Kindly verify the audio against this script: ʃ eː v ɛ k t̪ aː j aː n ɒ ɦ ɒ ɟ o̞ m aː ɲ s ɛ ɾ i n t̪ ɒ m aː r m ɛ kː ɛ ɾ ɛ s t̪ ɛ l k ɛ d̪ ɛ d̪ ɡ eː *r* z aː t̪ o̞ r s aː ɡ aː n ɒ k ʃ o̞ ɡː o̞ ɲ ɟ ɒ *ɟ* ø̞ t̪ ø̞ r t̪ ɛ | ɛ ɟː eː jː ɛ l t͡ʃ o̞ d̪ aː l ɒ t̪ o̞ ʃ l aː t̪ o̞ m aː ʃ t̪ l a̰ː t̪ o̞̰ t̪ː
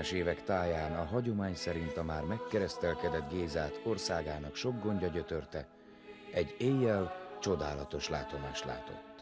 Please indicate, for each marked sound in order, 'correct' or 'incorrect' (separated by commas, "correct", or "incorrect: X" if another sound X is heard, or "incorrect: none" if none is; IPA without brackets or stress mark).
incorrect: none, correct